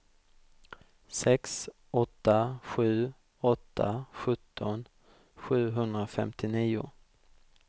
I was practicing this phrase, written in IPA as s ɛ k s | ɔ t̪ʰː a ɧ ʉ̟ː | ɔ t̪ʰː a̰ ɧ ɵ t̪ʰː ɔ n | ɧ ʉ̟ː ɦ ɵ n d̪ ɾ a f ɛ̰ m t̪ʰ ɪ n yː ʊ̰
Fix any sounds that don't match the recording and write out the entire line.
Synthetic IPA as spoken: s ɛ k s | ɔ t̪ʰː a ɧ ʉ̟ː | ɔ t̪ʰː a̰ ɧ ɵ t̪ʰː ɔ n | ɧ ʉ̟ː ɦ ɵ n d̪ ɾ a f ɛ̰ m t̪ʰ ɪ n iː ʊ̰